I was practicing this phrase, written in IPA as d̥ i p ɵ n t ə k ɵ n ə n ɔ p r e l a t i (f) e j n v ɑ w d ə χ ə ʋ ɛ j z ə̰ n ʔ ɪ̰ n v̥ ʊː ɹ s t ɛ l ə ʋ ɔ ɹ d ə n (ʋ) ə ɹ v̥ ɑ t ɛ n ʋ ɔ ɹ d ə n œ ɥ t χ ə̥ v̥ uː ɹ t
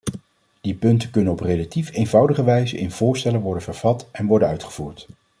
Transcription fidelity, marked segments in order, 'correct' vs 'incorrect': correct, incorrect: v

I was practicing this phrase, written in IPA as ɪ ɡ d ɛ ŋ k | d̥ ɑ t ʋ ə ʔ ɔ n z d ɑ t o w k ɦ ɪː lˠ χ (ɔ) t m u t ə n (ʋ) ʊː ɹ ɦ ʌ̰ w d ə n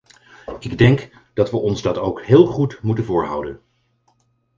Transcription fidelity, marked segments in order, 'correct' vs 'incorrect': incorrect: u, incorrect: v

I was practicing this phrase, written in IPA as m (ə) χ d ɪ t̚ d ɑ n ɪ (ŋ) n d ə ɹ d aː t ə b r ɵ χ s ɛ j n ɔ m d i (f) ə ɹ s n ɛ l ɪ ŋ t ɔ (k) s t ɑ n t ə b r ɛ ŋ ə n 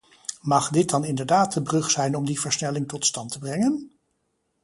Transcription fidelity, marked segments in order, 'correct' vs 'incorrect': incorrect: ɑ, incorrect: none, incorrect: v, incorrect: t

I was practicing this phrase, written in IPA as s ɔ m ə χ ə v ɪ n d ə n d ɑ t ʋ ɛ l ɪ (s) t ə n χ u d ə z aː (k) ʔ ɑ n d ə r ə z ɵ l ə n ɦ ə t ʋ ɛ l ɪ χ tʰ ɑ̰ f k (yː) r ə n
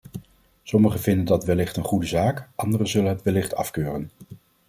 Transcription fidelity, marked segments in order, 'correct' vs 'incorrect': incorrect: χ, correct, incorrect: øː

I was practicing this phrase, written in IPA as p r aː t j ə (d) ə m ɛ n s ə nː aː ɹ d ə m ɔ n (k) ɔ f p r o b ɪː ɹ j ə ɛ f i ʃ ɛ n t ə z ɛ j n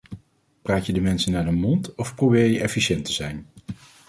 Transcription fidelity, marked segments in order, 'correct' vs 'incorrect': correct, incorrect: t

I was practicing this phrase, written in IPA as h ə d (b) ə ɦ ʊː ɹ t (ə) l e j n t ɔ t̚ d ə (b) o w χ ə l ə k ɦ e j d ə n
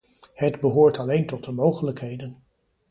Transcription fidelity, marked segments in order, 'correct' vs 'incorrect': correct, incorrect: ɑ, incorrect: m

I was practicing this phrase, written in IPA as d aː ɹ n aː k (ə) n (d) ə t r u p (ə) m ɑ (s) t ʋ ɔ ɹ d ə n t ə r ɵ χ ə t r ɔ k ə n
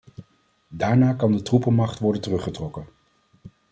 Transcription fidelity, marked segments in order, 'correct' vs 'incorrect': incorrect: ɑ, correct, correct, incorrect: χ

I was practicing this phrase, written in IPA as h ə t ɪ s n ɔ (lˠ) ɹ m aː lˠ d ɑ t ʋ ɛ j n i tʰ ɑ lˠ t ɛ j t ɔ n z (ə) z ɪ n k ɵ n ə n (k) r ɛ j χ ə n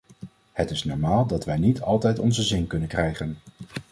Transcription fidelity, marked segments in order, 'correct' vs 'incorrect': incorrect: none, correct, correct

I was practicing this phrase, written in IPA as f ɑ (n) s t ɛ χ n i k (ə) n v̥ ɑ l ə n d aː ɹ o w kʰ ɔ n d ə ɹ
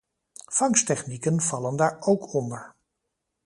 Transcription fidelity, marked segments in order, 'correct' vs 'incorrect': incorrect: ŋ, correct

